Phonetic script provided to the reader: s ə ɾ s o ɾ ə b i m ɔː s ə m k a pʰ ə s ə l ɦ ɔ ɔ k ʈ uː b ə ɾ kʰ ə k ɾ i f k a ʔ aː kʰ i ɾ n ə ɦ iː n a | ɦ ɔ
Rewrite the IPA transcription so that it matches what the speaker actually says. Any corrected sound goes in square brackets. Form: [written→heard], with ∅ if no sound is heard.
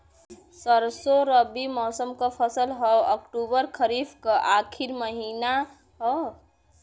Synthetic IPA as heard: s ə ɾ s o ɾ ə b i m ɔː s ə m k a pʰ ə s ə l ɦ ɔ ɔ k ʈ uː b ə ɾ kʰ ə [k→∅] ɾ i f k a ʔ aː kʰ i ɾ [n→m] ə ɦ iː n a | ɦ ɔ